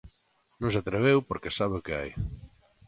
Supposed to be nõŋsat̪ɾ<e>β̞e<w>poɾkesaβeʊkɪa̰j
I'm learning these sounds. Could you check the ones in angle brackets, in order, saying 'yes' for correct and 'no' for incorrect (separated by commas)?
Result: yes, yes